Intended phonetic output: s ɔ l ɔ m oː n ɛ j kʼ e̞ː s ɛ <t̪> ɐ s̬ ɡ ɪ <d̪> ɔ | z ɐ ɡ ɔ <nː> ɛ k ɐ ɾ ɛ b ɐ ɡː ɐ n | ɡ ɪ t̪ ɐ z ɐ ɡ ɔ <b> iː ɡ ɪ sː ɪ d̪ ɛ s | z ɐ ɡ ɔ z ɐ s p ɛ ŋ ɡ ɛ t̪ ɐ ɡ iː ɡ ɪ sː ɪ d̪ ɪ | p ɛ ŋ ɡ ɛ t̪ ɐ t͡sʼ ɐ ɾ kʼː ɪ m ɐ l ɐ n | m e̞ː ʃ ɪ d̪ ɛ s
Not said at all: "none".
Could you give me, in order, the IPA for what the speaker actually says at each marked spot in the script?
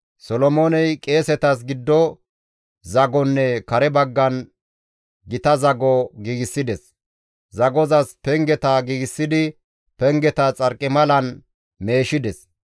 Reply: t̪, d̪ː, nː, ɡ

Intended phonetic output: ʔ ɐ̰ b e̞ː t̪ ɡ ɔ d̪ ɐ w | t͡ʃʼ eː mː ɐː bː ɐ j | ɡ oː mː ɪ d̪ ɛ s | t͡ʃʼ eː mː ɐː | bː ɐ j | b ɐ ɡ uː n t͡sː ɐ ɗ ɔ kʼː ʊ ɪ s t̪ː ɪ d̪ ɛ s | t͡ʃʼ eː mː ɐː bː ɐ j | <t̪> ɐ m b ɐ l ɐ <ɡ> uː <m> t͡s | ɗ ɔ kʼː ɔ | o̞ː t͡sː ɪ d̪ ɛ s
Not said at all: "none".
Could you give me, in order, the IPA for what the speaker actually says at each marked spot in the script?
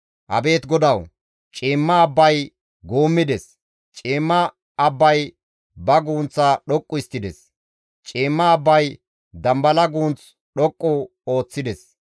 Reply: d̪, ɡ, n

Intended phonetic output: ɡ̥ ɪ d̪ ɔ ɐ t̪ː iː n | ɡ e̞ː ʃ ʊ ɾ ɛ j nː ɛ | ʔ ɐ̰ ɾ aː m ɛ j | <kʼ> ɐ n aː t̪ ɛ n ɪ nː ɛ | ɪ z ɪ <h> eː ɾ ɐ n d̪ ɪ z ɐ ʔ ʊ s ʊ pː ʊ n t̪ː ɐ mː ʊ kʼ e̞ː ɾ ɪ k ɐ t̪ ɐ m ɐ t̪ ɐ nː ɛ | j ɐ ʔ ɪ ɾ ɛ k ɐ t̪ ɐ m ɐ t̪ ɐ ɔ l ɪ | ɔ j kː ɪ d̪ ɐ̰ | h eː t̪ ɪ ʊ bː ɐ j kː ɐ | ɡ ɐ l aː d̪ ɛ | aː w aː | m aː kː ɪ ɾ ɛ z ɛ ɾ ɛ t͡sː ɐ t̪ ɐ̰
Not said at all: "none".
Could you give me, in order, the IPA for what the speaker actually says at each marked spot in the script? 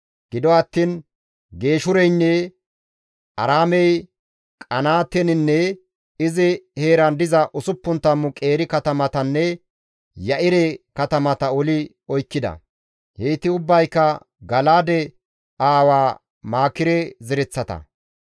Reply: kʼ, h

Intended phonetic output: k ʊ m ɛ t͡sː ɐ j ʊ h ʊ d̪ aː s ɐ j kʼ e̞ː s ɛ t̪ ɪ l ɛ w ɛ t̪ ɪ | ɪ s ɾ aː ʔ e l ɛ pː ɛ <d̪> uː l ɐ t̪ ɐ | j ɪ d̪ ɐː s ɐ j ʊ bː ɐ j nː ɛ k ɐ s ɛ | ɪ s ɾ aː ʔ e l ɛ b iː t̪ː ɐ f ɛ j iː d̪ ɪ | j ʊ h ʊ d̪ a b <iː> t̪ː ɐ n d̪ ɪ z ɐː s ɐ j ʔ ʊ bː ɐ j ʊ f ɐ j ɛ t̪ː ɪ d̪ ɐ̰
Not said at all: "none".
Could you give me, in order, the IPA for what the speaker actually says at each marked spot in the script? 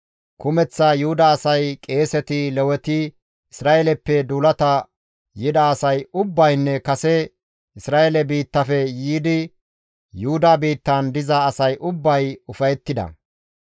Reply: d̪, iː

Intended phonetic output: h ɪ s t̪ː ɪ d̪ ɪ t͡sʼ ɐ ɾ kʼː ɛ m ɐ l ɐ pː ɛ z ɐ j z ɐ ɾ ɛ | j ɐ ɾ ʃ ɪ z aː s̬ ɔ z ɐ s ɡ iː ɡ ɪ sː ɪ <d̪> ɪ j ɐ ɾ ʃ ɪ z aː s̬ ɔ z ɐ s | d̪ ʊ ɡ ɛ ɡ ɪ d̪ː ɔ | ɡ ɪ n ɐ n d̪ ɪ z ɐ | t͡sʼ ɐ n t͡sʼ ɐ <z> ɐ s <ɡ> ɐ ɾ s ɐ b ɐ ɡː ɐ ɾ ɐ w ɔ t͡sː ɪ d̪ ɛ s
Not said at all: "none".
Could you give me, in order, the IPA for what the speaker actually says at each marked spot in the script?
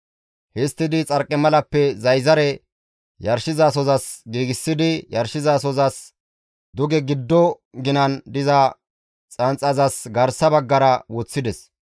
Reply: d̪, z, ɡ

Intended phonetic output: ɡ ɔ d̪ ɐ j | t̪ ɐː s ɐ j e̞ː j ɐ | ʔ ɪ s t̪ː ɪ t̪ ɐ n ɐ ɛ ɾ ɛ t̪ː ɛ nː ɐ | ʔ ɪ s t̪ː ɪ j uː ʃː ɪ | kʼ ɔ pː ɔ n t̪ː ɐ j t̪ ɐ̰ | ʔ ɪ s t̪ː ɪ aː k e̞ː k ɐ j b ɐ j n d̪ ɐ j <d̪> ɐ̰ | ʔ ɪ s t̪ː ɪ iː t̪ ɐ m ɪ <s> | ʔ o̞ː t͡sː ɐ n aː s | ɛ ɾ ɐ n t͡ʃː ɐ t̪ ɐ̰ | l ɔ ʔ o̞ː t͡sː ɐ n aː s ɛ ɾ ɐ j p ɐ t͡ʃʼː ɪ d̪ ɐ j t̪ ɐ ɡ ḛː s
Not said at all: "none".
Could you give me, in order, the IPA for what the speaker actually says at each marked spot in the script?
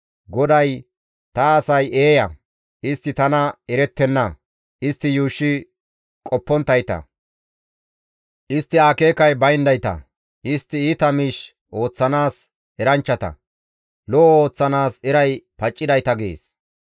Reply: t̪, ʃ

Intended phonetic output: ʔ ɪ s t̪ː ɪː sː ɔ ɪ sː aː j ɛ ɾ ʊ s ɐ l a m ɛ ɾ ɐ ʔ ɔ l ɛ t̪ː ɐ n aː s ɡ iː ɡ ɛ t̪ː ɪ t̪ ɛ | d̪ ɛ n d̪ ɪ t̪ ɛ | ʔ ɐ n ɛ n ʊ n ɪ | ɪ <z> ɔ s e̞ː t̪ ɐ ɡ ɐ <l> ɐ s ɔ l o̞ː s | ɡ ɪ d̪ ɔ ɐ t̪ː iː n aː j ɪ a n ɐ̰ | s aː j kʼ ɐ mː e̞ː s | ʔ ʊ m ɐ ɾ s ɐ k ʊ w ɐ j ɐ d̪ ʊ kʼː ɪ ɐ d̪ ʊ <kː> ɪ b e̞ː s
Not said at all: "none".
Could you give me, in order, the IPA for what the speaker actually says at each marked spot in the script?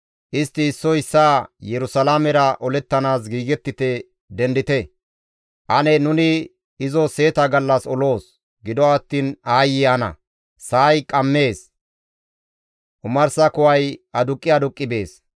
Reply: z, lː, kʼː

